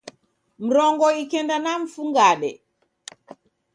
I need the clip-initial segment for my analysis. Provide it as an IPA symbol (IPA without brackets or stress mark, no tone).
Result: m̩